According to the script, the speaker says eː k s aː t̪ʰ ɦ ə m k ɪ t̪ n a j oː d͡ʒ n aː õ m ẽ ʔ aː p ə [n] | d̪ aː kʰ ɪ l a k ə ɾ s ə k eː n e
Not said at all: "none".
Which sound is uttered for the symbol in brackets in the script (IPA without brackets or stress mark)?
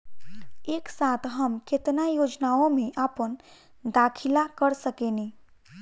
n